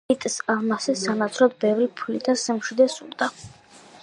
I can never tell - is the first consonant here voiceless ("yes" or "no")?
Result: yes